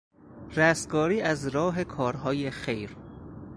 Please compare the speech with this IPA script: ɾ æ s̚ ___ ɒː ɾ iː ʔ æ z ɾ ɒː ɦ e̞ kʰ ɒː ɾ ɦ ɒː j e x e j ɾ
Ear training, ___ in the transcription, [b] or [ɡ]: ɡ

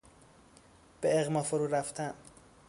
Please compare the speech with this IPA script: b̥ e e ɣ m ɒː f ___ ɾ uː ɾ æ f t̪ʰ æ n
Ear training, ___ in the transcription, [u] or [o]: o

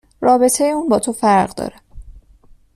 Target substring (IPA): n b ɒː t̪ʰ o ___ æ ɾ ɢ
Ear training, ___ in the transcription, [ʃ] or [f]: f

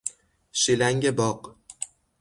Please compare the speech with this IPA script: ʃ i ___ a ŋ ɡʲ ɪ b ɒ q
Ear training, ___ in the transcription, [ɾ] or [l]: l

